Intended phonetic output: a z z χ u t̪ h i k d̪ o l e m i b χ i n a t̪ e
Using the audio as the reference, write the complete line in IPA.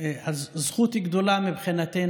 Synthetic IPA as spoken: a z z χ u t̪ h i ɡ d̪ o l a m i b χ i n a t̪ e